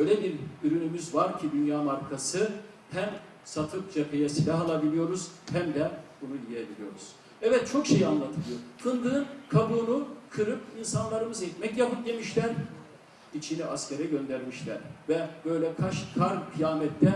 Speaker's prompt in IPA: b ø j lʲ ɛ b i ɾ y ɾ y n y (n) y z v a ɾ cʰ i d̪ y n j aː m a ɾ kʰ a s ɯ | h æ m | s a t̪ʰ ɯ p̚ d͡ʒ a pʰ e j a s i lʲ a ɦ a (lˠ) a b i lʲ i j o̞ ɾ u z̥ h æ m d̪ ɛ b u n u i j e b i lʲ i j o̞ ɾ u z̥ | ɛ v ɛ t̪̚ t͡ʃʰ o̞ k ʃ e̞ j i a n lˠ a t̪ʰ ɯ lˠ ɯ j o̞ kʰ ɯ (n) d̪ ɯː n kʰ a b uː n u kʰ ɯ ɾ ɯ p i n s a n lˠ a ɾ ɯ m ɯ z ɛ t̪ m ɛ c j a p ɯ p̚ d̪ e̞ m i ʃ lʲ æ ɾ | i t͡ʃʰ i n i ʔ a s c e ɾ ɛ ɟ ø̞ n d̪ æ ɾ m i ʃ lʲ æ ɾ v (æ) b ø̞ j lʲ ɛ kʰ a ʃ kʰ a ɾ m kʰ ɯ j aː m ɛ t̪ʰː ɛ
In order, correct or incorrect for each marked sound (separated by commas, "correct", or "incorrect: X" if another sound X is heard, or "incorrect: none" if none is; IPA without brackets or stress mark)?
incorrect: m, correct, correct, incorrect: ɛ